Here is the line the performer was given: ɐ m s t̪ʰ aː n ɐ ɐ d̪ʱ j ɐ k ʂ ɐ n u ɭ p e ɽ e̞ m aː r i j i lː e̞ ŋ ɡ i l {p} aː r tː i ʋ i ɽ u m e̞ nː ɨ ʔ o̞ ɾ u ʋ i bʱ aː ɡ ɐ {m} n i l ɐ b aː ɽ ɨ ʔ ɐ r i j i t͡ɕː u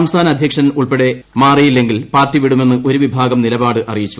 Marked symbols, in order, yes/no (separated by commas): yes, yes